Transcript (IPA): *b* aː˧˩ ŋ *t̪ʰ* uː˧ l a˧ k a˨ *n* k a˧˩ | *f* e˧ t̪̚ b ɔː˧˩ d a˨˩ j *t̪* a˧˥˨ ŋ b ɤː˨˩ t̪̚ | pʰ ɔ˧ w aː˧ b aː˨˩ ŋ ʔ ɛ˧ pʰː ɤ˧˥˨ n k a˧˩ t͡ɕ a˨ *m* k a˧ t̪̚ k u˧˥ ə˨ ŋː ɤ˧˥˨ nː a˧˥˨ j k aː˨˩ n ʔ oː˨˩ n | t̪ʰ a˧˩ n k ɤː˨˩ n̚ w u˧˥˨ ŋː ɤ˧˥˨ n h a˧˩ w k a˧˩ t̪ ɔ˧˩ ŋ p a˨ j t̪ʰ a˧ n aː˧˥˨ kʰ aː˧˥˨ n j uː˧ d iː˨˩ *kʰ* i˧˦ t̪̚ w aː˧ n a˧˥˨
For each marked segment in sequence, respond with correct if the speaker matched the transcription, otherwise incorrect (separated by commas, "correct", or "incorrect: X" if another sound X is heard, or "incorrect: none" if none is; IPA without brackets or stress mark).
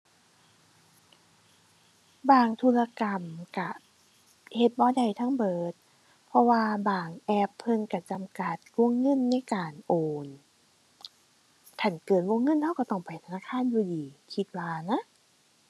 correct, correct, incorrect: m, incorrect: h, incorrect: t̪ʰ, correct, correct